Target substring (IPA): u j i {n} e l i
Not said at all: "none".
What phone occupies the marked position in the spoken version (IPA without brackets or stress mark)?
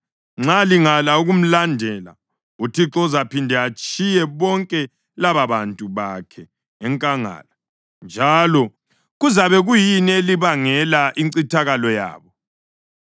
n